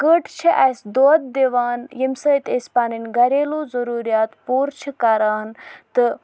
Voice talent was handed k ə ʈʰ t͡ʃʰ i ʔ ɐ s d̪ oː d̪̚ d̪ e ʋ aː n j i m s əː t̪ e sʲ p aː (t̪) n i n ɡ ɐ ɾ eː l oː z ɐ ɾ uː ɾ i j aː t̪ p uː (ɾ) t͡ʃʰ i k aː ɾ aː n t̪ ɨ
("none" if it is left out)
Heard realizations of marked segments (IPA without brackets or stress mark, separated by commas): none, ɾ